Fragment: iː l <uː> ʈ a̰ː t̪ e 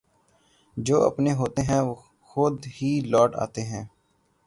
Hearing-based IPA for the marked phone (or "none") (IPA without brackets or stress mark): ɔː